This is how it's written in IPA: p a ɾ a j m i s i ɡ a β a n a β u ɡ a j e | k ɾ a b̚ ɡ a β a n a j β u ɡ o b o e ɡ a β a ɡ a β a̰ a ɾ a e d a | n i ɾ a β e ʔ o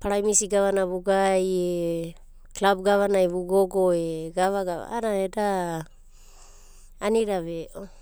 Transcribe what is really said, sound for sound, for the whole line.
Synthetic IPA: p a ɾ a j m i s i ɡ a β a n a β u ɡ a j e | k l a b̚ ɡ a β a n a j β u ɡ o ɡ o e ɡ a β a ɡ a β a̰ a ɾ a e d a | n i ɾ a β e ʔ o